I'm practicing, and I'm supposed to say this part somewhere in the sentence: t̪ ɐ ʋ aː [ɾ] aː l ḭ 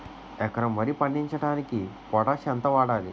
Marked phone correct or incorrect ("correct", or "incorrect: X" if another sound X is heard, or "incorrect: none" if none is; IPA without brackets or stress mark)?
incorrect: ɽ